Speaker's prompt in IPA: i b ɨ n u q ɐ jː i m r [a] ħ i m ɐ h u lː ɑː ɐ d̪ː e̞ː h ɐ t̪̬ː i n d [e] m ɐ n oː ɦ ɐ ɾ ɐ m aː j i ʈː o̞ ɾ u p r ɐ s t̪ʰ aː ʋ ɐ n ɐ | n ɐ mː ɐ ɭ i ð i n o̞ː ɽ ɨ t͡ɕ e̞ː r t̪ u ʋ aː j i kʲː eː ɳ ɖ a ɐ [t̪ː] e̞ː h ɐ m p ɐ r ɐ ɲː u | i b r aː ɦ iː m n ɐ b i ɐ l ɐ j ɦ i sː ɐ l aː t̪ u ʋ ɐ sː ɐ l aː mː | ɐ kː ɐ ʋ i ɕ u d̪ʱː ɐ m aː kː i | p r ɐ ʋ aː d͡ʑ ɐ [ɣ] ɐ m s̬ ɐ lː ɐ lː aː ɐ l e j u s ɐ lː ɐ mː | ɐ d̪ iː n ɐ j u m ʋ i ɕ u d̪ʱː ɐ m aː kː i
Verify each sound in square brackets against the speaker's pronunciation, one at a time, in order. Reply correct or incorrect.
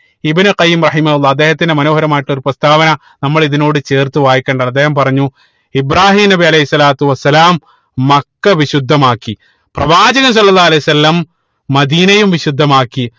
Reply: incorrect, correct, incorrect, correct

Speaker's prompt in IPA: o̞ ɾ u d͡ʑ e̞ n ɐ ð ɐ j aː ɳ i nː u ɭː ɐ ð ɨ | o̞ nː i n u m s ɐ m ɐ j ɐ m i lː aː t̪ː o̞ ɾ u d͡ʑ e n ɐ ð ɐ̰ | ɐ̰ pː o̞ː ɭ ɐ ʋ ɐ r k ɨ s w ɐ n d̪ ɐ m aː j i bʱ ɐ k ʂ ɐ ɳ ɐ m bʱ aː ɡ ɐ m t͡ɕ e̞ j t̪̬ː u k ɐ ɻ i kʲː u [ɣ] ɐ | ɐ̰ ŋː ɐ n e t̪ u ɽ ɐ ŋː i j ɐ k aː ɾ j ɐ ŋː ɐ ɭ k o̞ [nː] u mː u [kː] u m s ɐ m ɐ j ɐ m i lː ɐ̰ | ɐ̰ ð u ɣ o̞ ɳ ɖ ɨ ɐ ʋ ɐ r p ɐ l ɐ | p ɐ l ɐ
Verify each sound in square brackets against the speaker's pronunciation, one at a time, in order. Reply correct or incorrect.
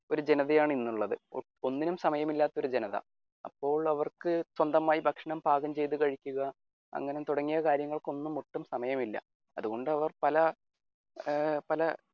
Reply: correct, correct, incorrect

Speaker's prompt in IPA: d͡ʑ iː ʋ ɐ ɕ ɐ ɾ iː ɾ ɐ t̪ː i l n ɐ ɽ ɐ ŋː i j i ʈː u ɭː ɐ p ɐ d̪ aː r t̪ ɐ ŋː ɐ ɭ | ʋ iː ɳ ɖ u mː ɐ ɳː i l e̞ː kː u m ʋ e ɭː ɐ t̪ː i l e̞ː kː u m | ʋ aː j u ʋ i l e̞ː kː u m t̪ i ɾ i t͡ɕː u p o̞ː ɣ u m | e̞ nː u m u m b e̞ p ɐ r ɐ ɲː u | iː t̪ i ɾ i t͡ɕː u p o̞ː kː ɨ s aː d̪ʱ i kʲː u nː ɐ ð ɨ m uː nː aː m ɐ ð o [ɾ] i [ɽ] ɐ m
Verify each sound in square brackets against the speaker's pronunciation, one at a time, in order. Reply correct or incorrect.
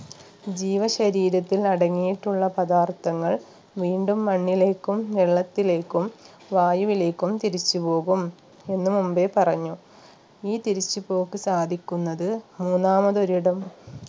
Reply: correct, correct

